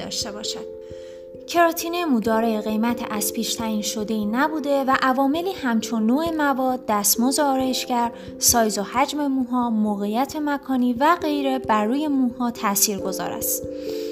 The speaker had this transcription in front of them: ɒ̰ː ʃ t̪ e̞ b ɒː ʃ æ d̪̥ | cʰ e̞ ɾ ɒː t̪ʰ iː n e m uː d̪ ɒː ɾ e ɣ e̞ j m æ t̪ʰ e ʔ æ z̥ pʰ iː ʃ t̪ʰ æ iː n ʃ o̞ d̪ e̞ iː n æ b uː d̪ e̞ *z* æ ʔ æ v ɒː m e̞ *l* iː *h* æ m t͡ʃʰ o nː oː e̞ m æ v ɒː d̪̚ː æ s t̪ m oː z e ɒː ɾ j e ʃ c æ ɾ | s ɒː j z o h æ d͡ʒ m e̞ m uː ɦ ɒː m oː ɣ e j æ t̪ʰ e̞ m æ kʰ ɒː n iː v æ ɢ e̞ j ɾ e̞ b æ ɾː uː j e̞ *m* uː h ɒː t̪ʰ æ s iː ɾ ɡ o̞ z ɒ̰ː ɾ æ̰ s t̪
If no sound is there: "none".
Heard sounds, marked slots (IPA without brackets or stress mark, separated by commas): v, l, h, m